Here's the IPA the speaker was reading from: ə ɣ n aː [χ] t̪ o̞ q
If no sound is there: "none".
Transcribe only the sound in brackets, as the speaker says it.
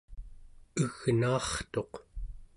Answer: χ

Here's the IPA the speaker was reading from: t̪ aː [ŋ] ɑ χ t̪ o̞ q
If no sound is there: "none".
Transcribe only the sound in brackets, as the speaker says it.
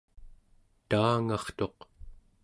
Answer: ŋ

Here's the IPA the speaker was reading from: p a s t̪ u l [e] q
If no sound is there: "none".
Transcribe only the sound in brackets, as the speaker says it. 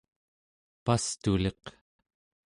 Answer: e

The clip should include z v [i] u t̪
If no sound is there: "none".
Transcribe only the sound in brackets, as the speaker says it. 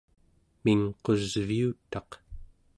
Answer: i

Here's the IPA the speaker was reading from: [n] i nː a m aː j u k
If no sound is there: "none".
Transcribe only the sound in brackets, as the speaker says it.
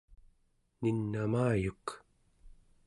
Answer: n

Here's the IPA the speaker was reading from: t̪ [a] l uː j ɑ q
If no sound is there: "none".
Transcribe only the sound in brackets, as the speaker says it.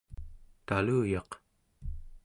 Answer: a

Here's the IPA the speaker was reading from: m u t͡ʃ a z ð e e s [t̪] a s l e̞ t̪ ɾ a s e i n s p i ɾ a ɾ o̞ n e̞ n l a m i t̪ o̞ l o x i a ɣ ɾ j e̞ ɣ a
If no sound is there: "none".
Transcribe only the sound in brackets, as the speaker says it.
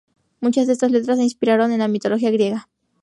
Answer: t̪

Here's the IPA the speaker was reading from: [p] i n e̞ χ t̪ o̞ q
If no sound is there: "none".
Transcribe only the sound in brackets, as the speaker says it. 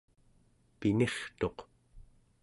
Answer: p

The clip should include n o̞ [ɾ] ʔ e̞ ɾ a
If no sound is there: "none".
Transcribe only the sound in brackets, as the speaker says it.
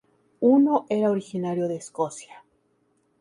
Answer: none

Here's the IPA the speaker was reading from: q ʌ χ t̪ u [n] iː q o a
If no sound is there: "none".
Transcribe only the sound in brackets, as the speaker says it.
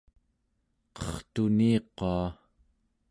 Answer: n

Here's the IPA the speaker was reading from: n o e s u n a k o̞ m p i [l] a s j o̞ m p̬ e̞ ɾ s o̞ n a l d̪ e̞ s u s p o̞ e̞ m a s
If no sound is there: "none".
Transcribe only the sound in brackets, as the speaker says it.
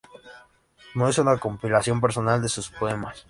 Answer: l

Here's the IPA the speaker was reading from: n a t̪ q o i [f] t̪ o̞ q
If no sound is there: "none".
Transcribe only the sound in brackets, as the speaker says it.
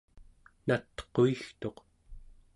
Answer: x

